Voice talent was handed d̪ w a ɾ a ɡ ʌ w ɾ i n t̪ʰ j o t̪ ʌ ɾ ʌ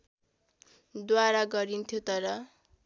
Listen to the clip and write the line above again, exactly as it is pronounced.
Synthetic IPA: d̪ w a ɾ a ɡ ʌ ɾ i n t̪ʰ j o t̪ ʌ ɾ ʌ